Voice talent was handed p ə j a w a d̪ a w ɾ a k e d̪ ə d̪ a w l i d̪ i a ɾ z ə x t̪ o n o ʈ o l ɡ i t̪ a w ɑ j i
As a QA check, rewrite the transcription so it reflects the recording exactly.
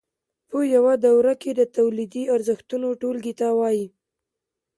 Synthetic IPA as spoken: p ə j a w a d̪ a w ɾ a k e d̪ ə t̪ a w l i d̪ i a ɾ z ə x t̪ u n o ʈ o l ɡ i t̪ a w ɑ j i

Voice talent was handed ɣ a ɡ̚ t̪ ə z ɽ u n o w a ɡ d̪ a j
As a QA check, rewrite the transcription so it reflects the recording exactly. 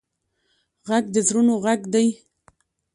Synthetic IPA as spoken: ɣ a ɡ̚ d̪ ə z ɾ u n o ɣ a ɡ d̪ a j

